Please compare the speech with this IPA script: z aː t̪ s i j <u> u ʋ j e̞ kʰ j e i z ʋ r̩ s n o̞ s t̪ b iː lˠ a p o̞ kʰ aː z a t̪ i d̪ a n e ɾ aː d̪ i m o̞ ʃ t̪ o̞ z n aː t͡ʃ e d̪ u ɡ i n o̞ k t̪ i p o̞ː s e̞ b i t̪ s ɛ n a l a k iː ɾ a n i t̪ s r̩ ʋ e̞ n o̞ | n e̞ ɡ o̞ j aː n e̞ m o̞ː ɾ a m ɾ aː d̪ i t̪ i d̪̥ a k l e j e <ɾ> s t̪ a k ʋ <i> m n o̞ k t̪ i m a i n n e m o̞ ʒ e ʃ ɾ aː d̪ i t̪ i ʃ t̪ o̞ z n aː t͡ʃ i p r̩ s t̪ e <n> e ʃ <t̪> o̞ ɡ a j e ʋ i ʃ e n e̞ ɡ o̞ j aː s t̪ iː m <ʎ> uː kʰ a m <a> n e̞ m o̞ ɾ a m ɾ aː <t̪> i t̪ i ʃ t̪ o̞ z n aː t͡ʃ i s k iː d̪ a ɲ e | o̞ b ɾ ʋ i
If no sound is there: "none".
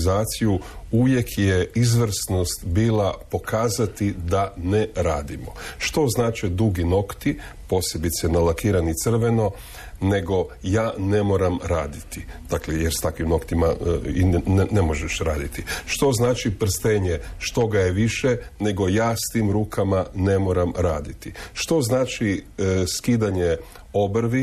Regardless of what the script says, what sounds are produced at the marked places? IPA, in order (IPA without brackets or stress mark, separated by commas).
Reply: u, ɾ, i, ɲ, t̪, ɾ, a, d̪